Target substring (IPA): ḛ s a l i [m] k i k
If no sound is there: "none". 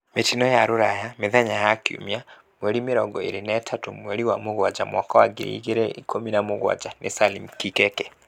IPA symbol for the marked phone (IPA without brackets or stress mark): m